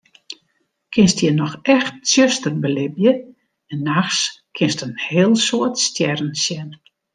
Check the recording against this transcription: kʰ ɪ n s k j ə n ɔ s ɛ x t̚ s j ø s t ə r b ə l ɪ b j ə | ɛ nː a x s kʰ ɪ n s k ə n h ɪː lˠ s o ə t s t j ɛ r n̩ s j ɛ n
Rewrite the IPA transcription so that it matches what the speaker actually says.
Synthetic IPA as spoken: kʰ ɪ n s t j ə n ɔ x ɛ x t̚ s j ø s t ə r b ə l ɪ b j ə | ɛ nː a x s kʰ ɪ n s t ə n h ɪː lˠ s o ə t s t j ɛ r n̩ s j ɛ n